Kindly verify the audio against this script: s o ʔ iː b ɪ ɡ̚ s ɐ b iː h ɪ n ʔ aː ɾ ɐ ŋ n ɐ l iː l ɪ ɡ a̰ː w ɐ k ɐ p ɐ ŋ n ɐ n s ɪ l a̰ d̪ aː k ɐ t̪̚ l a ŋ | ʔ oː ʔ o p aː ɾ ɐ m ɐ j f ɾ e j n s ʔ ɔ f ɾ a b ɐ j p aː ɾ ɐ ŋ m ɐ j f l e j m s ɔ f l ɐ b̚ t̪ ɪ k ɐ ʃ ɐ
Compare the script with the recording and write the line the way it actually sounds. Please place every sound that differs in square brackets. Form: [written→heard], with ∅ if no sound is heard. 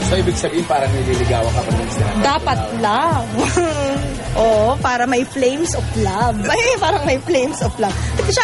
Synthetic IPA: s o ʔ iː b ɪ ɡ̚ s ɐ b iː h ɪ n [ʔ→p] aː ɾ ɐ ŋ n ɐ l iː l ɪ ɡ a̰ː w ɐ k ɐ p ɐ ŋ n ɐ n s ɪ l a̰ d̪ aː [k→p] ɐ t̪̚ l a ŋ | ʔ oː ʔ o p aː ɾ ɐ m ɐ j f [ɾ→l] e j [n→m] s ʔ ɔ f [ɾ→l] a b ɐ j p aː ɾ ɐ ŋ m ɐ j f l e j m s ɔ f l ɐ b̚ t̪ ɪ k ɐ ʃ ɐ